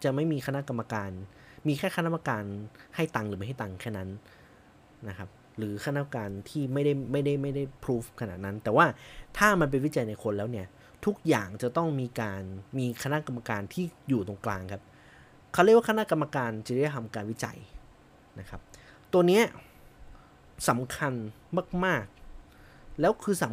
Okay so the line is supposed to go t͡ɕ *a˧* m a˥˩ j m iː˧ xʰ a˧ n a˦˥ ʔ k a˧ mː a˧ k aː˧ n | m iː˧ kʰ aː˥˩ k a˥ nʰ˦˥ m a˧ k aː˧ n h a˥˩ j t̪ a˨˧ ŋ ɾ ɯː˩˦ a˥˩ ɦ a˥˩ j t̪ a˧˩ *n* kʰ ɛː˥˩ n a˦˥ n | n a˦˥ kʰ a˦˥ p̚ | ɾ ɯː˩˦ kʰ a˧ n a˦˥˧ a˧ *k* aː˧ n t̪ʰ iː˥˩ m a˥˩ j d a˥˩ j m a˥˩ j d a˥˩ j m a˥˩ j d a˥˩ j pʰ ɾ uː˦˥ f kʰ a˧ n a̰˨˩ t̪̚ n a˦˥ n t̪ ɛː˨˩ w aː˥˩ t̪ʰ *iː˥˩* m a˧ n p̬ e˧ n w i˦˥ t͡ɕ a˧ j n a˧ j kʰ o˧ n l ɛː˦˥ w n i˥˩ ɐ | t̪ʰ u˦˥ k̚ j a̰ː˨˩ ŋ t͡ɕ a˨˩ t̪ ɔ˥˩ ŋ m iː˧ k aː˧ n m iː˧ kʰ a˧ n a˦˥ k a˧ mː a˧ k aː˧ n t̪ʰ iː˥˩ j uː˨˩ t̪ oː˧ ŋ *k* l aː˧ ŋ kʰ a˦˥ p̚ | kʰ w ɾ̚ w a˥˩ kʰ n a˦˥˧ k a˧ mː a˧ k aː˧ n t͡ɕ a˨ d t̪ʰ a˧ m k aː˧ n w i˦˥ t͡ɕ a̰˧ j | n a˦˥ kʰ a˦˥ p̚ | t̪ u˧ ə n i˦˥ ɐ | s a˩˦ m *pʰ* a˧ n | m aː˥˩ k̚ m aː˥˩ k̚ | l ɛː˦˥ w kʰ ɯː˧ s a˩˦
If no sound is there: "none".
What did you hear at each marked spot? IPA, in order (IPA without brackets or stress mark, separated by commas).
a˨˩, ŋ, k, aː˥˩, k, kʰ